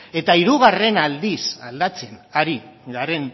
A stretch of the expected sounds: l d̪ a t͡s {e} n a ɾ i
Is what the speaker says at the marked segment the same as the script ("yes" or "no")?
yes